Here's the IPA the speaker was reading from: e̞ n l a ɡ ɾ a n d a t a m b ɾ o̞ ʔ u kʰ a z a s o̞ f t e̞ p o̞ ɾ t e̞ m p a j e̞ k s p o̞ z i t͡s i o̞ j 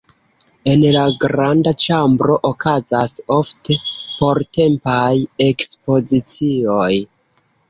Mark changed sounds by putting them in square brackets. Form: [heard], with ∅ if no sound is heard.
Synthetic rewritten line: e̞ n l a ɡ ɾ a n d a [t͡ʃ] a m b ɾ o̞ ʔ [o] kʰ a z a s o̞ f t e̞ p o̞ ɾ t e̞ m p a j e̞ k s p o̞ z i t͡s i o̞ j